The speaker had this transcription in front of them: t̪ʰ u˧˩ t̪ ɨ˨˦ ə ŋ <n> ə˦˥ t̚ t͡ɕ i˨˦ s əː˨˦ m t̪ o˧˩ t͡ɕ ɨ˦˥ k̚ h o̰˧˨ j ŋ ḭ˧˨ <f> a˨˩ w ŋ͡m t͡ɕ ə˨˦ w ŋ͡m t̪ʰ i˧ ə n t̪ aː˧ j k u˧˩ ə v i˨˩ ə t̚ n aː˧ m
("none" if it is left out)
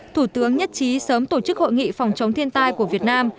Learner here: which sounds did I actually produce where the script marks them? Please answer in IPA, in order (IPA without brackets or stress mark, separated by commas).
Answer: ɲ, f